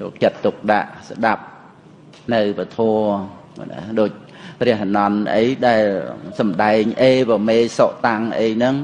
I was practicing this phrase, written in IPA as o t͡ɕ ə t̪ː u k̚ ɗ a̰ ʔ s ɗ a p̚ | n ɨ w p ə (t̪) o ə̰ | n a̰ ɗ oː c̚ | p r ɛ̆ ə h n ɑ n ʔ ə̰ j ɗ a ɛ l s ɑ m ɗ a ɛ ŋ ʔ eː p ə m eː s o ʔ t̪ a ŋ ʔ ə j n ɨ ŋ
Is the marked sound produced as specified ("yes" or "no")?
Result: no